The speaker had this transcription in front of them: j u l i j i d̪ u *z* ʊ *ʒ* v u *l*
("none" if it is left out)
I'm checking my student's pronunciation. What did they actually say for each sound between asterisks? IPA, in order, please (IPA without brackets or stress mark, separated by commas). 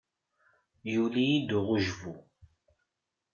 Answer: ʁ, ʒ, none